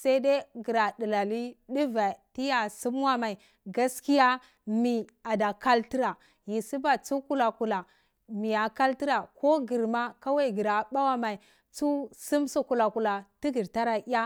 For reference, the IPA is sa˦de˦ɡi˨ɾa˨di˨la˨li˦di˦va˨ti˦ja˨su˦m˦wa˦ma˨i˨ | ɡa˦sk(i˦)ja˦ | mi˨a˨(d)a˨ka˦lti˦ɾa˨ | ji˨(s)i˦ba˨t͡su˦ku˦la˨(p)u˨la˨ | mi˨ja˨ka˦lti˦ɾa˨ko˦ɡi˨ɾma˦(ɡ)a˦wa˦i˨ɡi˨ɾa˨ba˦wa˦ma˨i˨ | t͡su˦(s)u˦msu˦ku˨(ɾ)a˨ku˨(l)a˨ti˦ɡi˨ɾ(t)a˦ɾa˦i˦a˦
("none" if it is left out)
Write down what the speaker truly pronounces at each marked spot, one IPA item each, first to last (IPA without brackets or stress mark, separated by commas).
i˦, d, s, k, k, s, l, l, t